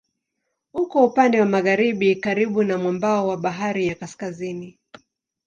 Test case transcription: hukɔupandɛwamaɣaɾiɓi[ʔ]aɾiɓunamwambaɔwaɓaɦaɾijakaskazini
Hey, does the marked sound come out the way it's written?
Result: no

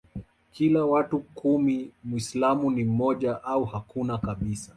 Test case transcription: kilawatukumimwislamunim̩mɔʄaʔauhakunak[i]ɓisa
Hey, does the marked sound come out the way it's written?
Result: no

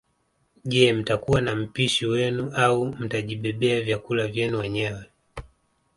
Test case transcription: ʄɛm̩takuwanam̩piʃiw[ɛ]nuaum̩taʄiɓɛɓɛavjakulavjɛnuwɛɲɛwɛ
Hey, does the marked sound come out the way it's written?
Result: yes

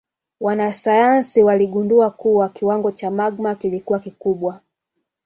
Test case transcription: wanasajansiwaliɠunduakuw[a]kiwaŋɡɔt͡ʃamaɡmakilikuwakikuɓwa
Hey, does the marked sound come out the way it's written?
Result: yes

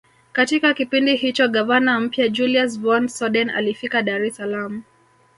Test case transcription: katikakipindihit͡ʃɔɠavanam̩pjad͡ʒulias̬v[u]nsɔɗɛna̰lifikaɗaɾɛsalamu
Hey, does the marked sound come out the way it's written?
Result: no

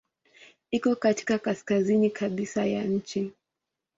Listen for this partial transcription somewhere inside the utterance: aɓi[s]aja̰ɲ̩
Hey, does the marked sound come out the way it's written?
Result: yes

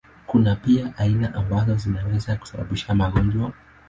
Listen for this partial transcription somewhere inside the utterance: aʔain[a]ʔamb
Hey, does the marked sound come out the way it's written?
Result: yes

